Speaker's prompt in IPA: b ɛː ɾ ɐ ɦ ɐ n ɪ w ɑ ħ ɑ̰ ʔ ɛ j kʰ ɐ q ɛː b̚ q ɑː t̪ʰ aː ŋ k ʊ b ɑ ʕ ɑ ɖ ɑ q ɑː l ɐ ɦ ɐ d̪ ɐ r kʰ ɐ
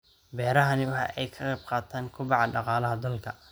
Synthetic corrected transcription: b ɛː ɾ ɐ ɦ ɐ n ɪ w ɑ ħ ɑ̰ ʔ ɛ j kʰ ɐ q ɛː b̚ q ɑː t̪ʰ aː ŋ kʰ ʊ b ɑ ʕ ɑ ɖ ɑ q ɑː l ɐ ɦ ɐ d̪ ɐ l kʰ ɐ